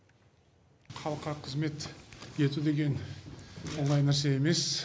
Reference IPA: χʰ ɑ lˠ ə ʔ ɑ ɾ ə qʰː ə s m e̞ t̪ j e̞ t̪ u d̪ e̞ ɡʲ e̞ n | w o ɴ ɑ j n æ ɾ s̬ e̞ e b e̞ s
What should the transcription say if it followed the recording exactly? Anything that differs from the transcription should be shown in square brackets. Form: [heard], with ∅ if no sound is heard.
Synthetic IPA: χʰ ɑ lˠ ə [q] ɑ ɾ [ɑ] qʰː ə [z] m e̞ t̪ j e̞ t̪ u d̪ e̞ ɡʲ e̞ n | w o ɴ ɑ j n æ ɾ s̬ e̞ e [m] e̞ s